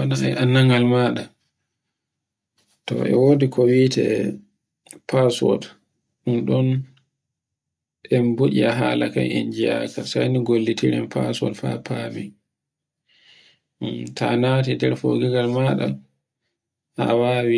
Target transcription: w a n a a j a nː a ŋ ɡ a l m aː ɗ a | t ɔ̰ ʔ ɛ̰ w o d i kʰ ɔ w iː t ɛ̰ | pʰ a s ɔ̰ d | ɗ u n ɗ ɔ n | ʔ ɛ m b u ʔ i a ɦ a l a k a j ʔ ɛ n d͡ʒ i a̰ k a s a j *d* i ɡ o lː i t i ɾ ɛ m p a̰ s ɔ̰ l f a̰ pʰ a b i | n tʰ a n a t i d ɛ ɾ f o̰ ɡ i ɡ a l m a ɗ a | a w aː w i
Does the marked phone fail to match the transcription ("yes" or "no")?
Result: yes